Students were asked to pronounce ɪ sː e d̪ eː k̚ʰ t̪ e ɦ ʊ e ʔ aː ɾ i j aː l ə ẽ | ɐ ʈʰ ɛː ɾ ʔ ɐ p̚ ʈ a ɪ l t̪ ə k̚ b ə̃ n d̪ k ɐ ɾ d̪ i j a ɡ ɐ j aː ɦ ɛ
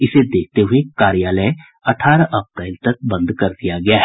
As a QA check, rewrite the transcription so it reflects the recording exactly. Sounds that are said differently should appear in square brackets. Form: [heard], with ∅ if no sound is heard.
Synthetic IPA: ɪ [s] e d̪ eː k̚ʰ t̪ e ɦ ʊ e [k] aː ɾ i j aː l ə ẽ | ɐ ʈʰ [aː] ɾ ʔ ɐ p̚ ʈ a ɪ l t̪ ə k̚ b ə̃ n d̪ k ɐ ɾ d̪ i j a ɡ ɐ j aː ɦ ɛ